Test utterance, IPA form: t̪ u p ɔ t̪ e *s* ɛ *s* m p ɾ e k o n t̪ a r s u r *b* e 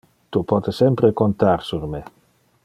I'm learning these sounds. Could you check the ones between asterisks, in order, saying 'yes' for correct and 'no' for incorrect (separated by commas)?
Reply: yes, no, no